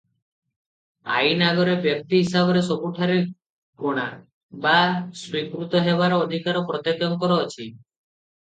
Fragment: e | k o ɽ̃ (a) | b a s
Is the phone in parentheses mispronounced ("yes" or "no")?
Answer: no